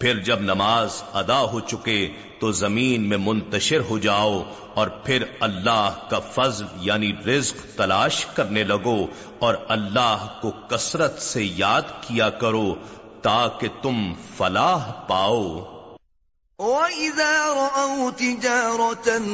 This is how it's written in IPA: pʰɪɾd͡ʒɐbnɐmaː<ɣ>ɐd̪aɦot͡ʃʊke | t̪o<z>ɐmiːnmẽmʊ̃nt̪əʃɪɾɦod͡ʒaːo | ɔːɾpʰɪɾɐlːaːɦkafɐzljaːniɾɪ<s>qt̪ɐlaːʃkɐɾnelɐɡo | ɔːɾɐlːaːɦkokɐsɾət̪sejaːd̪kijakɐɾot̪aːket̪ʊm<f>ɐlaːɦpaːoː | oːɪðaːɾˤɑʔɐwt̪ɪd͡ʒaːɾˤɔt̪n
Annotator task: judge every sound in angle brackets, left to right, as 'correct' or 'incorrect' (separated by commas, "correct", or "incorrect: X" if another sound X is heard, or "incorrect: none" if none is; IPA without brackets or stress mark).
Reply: incorrect: z, correct, incorrect: z, correct